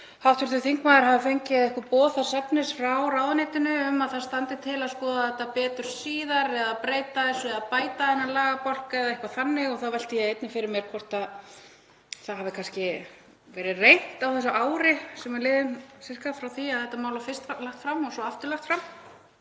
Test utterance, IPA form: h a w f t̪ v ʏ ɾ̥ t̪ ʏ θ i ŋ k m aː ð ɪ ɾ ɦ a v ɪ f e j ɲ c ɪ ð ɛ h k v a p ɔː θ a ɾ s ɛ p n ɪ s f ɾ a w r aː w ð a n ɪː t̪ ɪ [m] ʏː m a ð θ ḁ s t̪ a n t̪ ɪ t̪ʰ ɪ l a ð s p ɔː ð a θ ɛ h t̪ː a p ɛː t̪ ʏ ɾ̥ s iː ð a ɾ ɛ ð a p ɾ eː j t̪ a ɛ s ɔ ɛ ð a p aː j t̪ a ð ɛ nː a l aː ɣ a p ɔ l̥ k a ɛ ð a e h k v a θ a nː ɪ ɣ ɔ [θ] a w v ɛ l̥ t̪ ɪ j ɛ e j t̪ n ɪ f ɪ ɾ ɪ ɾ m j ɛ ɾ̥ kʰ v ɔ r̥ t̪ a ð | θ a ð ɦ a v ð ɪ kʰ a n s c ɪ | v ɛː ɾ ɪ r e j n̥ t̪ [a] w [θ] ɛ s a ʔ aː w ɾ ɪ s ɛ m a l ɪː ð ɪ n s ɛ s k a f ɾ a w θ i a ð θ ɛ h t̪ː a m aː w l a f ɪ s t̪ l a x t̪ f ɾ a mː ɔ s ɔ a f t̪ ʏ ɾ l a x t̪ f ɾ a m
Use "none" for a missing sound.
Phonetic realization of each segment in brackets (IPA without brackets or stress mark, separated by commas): n, θ, a, θ